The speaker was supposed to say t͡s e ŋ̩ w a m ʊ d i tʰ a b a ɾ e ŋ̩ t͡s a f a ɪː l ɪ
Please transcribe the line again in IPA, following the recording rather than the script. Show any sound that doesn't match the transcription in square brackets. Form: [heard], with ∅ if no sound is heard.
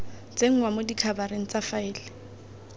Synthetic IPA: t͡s e ŋ̩ w a m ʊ d i [kʰ] a b a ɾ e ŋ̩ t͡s a f a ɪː l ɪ